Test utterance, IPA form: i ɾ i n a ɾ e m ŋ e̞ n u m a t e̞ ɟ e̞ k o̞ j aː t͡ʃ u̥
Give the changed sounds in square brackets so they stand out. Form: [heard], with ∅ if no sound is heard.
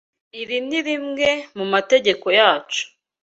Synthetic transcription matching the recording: i ɾ i n [i] ɾ [i] m ŋ e̞ [m] u m a t e̞ ɟ e̞ k o̞ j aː t͡ʃ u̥